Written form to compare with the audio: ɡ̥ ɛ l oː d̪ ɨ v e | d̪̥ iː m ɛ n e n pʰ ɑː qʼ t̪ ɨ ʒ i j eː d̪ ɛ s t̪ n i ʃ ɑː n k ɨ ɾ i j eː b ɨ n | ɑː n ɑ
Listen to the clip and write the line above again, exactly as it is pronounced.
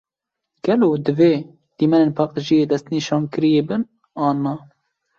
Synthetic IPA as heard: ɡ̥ ɛ l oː d̪ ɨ v e | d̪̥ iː m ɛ n e n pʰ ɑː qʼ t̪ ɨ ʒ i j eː d̪ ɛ s t̪ n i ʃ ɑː n k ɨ ɾ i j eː b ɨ n | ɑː n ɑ